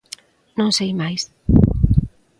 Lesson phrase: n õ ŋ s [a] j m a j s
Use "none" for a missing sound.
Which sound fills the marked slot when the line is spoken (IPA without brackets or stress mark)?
e